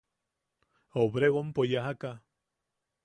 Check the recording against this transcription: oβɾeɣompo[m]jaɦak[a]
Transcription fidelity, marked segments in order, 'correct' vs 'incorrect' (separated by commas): incorrect, correct